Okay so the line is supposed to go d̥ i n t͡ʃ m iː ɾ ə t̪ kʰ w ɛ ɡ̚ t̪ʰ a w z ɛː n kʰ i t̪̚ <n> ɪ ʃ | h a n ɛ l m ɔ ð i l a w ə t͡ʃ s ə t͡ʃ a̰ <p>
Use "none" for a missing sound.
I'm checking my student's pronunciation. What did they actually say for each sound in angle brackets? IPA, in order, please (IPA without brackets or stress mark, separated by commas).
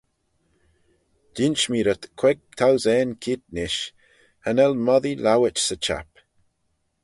n, p